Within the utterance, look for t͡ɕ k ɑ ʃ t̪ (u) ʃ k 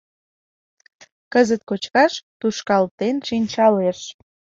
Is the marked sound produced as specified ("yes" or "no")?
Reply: yes